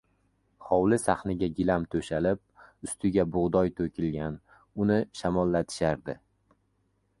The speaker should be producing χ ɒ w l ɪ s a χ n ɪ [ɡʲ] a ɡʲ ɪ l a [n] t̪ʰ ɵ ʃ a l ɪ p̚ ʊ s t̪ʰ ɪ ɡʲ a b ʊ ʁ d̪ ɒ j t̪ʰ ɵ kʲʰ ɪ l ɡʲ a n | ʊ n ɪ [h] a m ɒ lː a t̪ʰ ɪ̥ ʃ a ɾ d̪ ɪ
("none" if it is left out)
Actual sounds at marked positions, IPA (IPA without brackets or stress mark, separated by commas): ɡʲ, m, ʃ